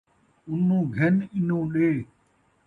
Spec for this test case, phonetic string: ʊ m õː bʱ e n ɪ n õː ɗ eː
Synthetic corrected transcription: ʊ n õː ɡʱ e n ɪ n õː ɗ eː